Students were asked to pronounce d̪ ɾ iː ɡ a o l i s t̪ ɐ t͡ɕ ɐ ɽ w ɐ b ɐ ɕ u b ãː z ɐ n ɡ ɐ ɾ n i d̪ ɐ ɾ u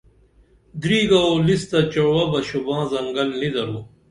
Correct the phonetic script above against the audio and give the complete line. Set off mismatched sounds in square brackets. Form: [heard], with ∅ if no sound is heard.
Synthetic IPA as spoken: d̪ ɾ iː ɡ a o l i s t̪ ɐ t͡ɕ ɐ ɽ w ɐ b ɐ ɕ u b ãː z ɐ [ŋ] ɡ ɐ [l] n i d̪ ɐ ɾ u

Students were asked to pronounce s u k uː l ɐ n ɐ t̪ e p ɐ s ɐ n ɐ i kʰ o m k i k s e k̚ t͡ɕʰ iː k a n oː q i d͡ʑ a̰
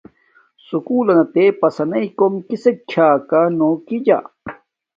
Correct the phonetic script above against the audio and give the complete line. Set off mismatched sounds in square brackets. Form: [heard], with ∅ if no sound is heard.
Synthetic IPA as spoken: s u k uː l ɐ n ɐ t̪ e p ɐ s ɐ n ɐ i [k] o m k i [∅] s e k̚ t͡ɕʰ [aː] k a n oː [k] i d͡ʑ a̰

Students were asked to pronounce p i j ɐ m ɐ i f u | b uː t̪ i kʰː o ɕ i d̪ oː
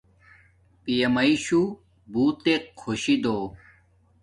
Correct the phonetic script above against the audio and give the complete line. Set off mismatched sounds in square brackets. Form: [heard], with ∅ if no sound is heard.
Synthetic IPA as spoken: p i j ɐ m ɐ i [ɕ] u | b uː t̪ [e] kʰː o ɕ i d̪ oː

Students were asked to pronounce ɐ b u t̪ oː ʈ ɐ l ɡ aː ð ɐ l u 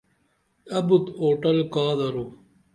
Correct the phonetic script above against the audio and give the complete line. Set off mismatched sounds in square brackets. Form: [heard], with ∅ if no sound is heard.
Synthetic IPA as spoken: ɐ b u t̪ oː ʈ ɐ l [k] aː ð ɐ [ɾ] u

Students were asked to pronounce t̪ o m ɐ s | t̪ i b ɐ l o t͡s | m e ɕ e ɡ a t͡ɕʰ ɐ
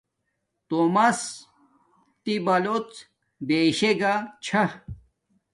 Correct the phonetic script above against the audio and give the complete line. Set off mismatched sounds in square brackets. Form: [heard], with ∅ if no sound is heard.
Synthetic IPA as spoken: t̪ o m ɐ s | t̪ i b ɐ l o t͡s | [b] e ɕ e ɡ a t͡ɕʰ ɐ

